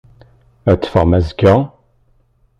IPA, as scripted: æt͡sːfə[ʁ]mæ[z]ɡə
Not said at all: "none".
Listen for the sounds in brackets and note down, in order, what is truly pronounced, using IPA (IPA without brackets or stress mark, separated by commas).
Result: ʁ, z